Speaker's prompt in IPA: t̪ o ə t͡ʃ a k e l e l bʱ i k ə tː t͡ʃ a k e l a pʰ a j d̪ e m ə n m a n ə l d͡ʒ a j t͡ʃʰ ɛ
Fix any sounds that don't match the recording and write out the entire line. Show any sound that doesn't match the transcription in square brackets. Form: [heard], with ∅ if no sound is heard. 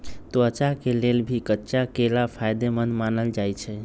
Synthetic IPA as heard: t̪ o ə t͡ʃ a k e l e l bʱ i k ə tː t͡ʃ a k e l a pʰ a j d̪ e m ə n m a n ə l d͡ʒ a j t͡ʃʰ ɛ